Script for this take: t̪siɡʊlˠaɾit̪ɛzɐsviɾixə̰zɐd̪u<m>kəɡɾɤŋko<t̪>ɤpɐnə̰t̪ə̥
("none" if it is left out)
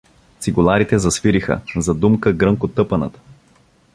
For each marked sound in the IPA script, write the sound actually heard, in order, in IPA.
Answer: m, t̪

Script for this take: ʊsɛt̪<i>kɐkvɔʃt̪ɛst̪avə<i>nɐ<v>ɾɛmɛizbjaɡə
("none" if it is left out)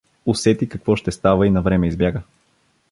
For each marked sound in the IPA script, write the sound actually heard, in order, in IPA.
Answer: i, i, v

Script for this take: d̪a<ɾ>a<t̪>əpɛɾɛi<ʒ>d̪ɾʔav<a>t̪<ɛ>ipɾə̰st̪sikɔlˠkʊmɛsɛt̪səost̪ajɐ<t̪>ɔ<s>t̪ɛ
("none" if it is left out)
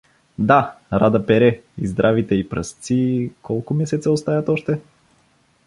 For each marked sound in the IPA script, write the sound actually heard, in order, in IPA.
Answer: ɾ, d̪, z, i, ɛ, t̪, ʃ

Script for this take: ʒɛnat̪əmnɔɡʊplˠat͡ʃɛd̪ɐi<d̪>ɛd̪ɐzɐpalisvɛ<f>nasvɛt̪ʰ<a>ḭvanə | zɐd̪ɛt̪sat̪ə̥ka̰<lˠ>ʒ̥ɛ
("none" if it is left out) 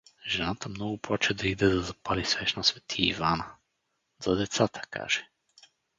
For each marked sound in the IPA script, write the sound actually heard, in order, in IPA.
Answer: d̪, ʃ, i, none

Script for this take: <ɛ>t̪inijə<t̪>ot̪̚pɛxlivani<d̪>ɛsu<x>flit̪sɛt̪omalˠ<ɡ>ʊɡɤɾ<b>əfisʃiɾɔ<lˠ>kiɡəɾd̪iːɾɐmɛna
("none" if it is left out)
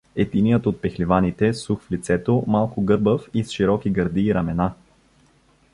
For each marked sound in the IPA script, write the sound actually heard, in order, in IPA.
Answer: ɛ, t̪, t̪, x, k, b, none

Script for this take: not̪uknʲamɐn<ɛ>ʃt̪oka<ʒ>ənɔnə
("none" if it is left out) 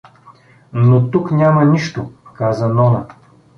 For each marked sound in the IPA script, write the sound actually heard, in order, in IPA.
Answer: i, z

